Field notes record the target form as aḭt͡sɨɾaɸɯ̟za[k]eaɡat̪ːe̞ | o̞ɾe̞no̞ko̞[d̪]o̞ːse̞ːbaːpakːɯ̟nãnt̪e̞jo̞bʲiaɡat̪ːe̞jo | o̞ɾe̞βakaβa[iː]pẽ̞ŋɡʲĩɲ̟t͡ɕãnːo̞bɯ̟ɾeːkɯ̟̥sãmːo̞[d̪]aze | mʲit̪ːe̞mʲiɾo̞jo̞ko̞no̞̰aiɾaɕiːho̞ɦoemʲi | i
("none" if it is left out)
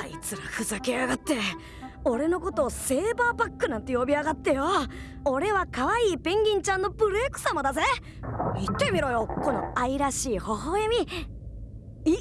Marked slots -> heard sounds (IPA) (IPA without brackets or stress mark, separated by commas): k, t̪, iː, d̪